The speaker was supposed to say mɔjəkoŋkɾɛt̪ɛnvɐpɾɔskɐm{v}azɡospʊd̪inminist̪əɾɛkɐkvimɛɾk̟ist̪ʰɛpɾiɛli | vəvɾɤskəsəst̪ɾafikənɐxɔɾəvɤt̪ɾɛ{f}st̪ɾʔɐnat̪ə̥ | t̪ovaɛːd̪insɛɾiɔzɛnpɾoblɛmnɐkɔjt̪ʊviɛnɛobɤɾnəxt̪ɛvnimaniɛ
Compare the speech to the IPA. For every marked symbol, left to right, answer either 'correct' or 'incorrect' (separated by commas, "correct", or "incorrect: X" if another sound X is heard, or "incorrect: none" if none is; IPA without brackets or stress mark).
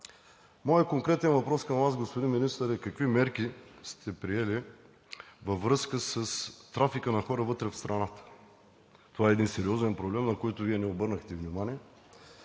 correct, correct